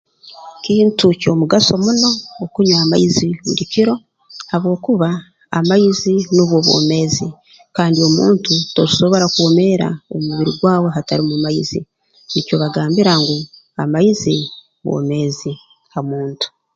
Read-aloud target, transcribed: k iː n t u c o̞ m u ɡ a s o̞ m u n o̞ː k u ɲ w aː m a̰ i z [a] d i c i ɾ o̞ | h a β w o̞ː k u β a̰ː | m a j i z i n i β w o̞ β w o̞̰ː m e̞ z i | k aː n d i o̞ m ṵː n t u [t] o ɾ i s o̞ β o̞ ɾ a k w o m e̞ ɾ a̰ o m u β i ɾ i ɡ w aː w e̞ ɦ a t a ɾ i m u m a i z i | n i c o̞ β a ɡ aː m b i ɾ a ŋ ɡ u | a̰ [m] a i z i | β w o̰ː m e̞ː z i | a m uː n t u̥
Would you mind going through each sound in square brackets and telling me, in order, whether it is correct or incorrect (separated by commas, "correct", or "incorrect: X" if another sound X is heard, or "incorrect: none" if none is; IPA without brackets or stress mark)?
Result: incorrect: i, correct, correct